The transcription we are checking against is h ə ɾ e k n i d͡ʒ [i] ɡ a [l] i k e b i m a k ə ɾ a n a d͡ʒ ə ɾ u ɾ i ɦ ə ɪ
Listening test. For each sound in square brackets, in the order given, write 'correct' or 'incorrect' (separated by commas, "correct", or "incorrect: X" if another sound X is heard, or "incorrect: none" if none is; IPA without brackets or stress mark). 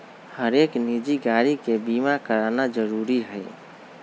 correct, incorrect: ɾ